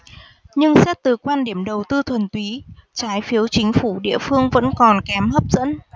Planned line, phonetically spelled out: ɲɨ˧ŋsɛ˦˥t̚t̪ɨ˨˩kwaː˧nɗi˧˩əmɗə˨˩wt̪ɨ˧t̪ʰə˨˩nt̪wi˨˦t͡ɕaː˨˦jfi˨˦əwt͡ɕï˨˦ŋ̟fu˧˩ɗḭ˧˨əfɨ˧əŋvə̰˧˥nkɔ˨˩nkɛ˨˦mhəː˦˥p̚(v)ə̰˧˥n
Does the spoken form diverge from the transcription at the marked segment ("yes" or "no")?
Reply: yes